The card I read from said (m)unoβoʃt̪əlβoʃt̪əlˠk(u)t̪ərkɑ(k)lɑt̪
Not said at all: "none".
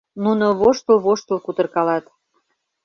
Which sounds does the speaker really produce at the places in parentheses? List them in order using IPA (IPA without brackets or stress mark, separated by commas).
n, u, none